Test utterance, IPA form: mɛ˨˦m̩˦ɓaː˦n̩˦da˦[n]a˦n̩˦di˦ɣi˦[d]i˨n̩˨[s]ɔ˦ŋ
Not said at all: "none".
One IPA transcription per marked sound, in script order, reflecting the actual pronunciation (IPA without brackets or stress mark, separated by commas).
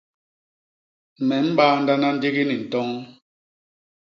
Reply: n, n, t